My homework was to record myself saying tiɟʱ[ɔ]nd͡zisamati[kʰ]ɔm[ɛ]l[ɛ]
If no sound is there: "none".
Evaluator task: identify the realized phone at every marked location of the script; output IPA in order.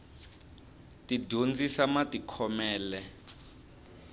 o, kʰ, ɛː, ɛ

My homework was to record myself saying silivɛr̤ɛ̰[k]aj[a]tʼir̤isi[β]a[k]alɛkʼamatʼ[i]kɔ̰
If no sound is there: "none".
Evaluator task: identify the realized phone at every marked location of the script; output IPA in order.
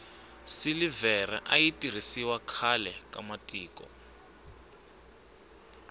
ʔ, i, w, kʰ, iː

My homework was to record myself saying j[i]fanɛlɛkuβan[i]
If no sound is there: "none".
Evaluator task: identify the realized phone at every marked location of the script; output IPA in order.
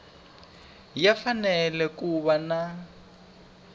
a, a

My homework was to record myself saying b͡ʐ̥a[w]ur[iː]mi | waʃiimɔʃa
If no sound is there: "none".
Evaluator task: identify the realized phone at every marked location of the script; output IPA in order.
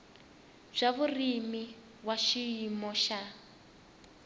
β, i

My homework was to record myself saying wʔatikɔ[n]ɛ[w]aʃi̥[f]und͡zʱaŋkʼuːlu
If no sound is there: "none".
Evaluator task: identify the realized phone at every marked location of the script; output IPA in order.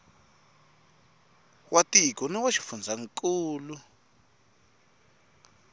n, w, f

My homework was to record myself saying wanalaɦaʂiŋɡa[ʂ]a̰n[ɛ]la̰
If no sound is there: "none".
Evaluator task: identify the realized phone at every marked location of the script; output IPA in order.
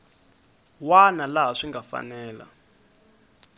f, ɛː

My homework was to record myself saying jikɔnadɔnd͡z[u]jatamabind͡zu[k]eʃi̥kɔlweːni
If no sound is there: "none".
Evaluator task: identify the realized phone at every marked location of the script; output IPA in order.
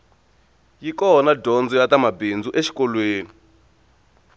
ɔ, ʔ

